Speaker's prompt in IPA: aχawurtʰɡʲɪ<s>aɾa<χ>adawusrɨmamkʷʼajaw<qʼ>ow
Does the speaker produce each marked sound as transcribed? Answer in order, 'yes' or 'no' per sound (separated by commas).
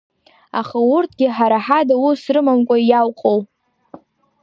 no, no, yes